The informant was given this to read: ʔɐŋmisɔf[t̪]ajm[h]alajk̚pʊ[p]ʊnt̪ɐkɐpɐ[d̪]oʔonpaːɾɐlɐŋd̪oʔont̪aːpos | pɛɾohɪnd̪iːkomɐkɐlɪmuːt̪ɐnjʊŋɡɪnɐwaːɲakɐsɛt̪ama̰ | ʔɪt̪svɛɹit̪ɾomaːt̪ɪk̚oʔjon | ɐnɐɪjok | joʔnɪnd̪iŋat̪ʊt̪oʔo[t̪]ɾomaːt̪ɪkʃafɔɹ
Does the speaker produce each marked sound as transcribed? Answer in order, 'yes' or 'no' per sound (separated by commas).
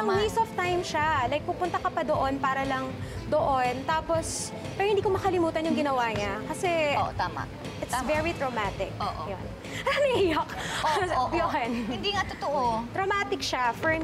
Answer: yes, no, yes, yes, yes